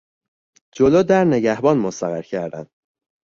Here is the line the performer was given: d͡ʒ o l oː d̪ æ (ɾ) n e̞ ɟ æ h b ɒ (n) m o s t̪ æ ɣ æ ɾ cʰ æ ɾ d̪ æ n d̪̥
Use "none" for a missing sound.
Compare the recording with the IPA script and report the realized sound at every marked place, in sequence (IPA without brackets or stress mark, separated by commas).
ɾ, n